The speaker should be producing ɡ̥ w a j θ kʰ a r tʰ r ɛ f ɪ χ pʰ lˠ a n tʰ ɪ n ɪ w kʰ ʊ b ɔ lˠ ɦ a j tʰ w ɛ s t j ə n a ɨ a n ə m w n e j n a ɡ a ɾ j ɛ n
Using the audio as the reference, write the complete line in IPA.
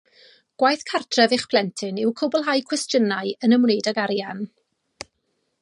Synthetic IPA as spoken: ɡ̥ w a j θ kʰ a r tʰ r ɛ v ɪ χ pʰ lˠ ɛ n tʰ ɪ n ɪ w kʰ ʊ b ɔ lˠ ɦ a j kʰ w ɛ s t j ə n a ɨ ə n ə m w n e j d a ɡ a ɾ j a n